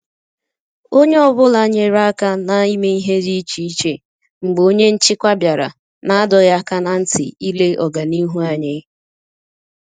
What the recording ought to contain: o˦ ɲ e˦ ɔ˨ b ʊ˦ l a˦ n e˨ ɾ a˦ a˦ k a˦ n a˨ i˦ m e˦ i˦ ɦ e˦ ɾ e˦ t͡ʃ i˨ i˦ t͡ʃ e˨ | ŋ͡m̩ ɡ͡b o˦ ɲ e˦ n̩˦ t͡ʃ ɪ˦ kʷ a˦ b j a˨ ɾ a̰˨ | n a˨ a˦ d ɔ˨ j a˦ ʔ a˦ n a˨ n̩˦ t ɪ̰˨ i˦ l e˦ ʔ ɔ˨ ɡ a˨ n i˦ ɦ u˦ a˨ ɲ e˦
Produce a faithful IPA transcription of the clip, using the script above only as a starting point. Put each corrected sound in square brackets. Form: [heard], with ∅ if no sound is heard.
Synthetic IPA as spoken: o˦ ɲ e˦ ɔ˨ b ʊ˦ l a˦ [ɲ] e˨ ɾ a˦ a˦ k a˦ n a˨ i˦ m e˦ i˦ ɦ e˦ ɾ [i˦] t͡ʃ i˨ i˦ t͡ʃ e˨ | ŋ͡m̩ ɡ͡b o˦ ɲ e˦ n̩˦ t͡ʃ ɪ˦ kʷ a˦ b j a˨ ɾ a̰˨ | n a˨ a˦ d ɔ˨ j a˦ [k] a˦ n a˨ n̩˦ t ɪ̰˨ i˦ l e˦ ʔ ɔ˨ ɡ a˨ n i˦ ɦ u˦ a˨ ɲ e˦